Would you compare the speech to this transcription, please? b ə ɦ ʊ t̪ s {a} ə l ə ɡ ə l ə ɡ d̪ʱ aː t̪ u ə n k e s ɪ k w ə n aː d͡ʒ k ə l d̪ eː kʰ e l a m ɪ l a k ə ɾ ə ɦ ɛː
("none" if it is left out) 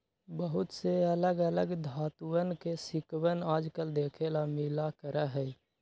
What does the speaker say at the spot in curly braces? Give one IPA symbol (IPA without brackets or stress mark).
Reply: e